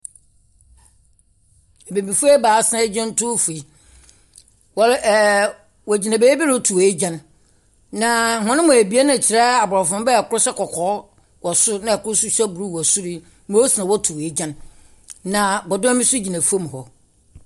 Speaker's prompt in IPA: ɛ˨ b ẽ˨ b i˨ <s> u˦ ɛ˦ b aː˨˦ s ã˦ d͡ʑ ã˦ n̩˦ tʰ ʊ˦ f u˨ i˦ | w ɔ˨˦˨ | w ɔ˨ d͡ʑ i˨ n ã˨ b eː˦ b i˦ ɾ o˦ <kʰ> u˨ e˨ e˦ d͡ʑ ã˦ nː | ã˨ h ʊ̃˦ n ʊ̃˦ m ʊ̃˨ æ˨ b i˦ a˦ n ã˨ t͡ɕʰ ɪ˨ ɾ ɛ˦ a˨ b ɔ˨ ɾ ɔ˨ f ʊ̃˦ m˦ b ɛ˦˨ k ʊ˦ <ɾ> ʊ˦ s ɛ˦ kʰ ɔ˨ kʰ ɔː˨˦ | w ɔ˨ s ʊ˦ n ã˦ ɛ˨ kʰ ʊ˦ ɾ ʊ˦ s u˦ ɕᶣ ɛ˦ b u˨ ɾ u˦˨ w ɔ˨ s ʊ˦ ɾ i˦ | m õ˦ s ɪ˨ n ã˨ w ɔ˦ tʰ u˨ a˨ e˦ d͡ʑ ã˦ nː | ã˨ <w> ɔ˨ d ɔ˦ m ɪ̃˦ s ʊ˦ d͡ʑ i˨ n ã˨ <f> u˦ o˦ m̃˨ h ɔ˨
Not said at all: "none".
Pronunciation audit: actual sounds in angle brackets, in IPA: f, tʰ, ɾ, b, f

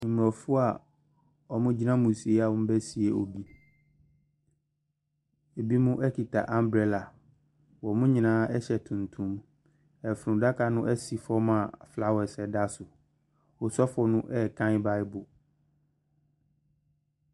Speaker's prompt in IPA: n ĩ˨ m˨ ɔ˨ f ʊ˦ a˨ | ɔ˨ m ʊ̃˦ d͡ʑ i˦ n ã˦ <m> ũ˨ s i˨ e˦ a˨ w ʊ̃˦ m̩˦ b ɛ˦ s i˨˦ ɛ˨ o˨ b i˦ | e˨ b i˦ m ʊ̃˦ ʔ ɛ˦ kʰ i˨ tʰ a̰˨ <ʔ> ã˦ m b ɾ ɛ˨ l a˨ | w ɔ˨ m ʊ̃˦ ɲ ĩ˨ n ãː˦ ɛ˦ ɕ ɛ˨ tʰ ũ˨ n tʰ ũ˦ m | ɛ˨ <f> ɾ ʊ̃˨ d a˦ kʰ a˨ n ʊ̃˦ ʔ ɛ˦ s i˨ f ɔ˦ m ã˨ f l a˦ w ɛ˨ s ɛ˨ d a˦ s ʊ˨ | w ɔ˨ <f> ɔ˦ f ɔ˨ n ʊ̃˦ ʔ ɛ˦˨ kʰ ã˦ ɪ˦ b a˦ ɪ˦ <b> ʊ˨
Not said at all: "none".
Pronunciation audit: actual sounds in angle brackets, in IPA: m, ʔ, f, s, b

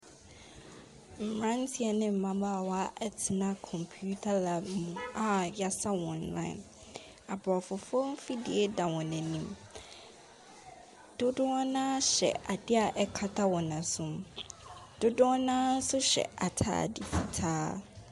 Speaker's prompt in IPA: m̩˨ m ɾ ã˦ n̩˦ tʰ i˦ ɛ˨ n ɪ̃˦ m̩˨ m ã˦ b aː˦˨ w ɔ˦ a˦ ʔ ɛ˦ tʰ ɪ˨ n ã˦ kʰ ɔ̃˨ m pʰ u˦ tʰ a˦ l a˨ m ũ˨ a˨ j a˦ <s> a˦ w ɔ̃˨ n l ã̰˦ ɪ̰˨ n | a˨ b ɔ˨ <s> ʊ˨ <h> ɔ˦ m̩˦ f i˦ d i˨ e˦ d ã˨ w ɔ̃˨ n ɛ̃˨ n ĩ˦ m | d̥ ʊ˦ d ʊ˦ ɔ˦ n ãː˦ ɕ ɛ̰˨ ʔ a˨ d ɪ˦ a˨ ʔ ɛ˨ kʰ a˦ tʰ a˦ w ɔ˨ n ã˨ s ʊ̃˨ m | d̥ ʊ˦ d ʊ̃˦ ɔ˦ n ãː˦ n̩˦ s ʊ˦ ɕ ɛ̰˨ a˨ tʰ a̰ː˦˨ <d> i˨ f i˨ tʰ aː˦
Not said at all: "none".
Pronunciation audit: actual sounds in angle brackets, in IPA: s, f, f, d

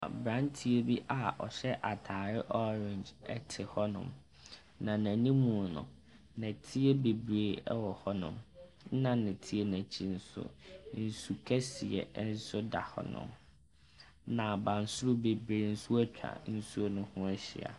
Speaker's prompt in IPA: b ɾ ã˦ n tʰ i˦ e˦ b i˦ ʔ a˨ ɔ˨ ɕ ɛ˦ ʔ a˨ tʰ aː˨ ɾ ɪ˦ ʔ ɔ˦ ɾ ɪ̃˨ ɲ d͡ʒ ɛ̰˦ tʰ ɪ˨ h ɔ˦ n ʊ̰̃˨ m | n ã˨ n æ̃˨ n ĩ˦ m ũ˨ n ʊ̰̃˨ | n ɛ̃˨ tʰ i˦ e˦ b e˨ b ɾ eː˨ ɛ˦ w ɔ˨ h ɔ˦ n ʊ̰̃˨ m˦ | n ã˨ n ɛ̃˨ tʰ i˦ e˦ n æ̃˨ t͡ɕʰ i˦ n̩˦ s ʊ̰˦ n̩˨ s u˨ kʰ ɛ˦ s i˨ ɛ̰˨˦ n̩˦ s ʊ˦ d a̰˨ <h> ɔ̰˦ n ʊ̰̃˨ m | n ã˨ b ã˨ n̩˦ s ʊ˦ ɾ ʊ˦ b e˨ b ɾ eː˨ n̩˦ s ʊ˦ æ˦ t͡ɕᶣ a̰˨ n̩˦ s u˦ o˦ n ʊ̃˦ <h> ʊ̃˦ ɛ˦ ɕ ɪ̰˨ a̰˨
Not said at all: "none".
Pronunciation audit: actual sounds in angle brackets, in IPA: h, h

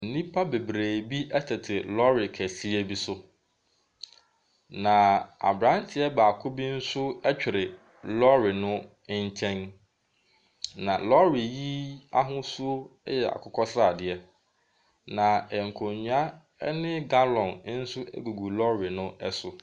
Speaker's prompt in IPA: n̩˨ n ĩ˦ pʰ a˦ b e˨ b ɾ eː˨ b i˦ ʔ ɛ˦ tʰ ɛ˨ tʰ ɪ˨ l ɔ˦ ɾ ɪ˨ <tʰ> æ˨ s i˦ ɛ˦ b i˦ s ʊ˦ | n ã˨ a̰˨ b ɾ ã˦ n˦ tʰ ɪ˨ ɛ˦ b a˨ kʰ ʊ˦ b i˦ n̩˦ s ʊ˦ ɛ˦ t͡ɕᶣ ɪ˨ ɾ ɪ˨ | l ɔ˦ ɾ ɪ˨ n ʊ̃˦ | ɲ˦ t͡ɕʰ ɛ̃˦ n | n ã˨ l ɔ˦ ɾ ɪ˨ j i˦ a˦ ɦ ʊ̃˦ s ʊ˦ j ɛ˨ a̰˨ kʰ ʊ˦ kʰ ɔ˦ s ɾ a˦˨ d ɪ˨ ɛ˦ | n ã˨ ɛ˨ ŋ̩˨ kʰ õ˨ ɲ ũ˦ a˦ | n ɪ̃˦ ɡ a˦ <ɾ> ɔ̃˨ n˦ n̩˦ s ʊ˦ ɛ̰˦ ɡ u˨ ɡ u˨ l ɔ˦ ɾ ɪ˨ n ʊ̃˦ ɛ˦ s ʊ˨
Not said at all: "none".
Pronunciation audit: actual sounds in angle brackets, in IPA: kʰ, l

